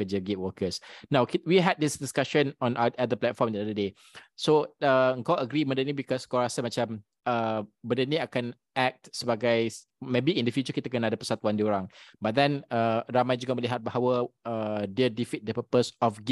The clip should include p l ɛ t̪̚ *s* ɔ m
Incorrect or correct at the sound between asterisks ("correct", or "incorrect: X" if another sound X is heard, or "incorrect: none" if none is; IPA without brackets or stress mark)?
incorrect: f